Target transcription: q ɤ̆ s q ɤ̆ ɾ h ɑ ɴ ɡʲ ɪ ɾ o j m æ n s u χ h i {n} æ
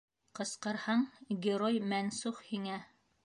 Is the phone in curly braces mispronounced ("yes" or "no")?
yes